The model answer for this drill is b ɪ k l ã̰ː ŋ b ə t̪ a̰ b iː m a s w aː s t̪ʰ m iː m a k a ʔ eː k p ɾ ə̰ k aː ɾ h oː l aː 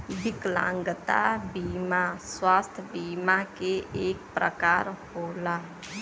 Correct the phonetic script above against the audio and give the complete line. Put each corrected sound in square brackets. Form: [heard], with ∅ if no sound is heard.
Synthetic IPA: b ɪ k l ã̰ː ŋ [ɡ] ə t̪ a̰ b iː m a s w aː s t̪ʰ [b] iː m a k [e] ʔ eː k p ɾ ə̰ k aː ɾ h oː l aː